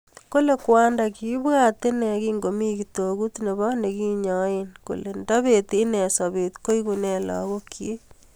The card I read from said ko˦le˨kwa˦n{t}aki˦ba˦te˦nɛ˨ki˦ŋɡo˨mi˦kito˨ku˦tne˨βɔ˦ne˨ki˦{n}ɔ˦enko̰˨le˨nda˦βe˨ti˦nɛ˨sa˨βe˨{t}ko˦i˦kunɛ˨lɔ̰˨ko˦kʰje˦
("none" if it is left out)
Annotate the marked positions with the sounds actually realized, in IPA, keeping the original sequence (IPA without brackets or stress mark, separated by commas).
d, ɲ, t